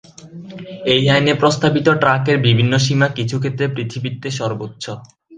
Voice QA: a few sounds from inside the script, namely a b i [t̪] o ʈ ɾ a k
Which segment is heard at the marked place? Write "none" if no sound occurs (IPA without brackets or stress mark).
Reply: t̪